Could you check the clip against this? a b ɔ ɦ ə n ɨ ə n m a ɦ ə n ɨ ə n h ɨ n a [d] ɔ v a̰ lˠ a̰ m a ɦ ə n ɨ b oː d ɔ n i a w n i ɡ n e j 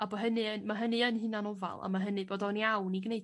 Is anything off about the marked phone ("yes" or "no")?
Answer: yes